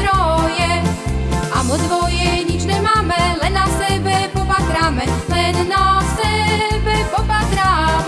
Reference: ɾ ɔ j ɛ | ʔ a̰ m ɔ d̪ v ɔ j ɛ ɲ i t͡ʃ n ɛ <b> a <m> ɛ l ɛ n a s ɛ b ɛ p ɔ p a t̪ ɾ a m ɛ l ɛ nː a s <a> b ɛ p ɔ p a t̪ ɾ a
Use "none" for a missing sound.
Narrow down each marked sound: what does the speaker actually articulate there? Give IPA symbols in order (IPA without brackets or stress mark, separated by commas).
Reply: m, m, ɛ